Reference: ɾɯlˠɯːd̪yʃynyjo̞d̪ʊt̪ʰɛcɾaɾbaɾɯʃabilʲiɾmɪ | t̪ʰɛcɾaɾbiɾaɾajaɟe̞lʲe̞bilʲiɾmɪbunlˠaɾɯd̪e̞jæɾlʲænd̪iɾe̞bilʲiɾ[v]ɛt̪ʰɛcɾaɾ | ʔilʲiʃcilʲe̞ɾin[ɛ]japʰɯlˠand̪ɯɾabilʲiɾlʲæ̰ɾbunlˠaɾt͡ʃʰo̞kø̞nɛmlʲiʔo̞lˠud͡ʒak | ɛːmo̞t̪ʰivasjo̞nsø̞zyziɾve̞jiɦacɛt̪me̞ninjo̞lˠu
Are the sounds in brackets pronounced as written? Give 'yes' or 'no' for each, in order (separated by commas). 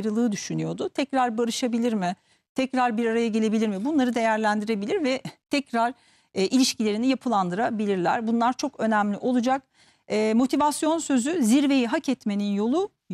yes, no